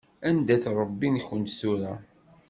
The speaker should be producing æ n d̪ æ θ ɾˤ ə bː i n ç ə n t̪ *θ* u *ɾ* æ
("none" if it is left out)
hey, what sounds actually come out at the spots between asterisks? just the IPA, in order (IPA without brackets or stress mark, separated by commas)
s, ɾ